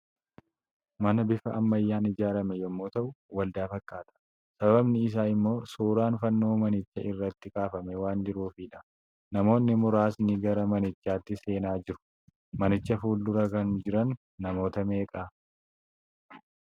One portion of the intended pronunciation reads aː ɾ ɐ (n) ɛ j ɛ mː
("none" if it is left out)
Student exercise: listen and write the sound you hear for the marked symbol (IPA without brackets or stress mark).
m